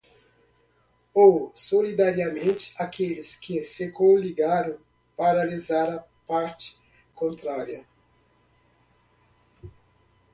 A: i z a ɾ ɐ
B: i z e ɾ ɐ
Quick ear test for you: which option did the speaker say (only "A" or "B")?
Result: A